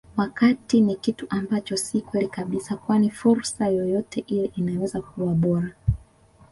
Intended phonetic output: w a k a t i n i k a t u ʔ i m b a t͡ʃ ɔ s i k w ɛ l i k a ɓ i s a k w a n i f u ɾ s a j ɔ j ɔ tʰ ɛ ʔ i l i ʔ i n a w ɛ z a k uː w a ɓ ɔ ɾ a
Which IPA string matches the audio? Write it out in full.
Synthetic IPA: w a k a t i n i k i t u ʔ a m b a t͡ʃ ɔ s i k w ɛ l i k a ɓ i s a k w a n i f u ɾ s a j ɔ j ɔ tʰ ɛ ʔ i l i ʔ i n a w ɛ z a k u w a ɓ ɔ ɾ a